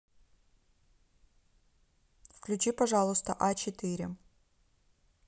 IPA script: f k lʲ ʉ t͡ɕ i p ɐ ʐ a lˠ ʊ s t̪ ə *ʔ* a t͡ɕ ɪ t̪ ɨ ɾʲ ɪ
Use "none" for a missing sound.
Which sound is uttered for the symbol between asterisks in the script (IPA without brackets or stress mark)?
ʔ